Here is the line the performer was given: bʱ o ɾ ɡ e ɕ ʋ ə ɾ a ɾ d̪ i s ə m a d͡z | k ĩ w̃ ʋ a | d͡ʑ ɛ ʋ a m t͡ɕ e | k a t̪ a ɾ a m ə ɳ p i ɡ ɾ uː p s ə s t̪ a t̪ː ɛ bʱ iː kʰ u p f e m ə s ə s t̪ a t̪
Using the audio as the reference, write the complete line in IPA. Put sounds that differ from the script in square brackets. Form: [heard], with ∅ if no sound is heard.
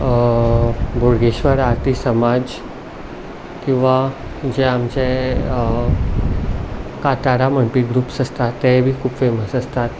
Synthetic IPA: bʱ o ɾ ɡ e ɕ ʋ ə ɾ a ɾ [t̪] i s ə m a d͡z | k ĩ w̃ ʋ a | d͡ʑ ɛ [∅] a m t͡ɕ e | k a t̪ a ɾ a m ə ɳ p i ɡ ɾ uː p s ə s t̪ a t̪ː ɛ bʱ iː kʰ u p f e m ə s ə s t̪ a t̪